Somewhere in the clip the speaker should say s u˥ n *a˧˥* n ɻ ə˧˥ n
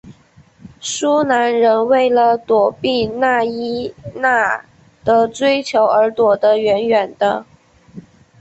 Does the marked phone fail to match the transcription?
no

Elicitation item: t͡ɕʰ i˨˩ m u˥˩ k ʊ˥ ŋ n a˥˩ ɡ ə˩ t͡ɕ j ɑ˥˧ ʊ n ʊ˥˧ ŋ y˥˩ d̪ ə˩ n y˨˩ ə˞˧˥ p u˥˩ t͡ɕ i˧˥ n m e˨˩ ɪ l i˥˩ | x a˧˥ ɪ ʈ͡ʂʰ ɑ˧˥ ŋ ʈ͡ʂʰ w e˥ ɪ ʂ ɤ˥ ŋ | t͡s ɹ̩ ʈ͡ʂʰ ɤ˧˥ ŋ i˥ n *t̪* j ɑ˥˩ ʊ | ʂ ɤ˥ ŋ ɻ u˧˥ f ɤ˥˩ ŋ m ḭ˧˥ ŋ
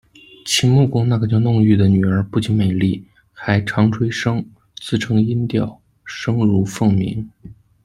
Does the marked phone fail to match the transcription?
no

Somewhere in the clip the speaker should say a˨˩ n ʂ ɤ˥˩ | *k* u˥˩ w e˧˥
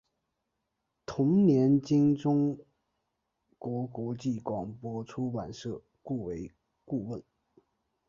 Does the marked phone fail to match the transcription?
no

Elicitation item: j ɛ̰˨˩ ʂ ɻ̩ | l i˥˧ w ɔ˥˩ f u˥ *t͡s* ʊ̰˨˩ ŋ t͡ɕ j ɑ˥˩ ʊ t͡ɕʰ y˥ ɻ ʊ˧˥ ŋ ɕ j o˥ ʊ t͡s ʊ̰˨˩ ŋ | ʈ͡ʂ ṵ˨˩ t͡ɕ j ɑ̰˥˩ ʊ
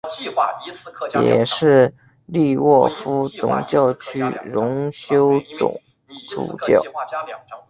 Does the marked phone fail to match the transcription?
no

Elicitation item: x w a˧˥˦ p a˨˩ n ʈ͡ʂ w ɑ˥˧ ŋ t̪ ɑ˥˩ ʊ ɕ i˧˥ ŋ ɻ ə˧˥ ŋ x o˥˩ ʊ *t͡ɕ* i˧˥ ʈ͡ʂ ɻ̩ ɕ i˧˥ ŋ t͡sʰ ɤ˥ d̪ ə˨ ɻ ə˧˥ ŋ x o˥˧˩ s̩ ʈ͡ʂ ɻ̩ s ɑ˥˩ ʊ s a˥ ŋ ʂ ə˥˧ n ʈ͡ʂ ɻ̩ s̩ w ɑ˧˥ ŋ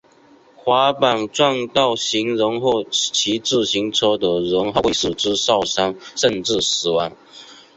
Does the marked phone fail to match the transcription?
yes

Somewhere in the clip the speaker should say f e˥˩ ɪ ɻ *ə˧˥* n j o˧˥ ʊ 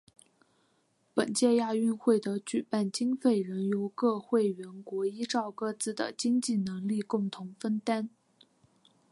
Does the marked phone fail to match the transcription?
no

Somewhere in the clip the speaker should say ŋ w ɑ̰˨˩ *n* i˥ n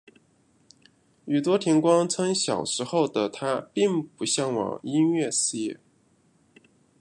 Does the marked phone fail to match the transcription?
yes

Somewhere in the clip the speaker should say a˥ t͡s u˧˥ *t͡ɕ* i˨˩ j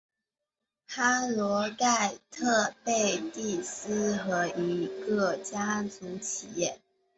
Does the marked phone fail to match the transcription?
yes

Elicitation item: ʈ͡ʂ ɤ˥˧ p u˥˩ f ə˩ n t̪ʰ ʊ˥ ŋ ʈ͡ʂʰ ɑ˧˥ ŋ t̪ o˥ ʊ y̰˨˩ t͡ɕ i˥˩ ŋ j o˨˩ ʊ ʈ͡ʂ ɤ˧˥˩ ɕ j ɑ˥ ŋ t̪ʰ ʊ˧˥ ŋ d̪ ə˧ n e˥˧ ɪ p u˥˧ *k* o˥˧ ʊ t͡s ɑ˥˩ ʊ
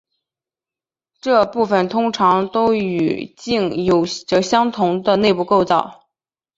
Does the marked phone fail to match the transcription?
no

